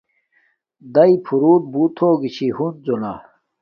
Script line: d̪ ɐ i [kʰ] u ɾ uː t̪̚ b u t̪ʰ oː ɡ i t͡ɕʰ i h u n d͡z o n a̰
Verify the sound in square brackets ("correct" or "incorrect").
incorrect